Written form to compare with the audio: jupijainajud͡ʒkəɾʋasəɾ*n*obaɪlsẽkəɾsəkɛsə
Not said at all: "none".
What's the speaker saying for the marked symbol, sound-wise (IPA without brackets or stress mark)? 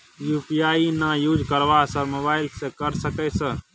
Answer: m